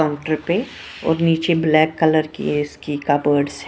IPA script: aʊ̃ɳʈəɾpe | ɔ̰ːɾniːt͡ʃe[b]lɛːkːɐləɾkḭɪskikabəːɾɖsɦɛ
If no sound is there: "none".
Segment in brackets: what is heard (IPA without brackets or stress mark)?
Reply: b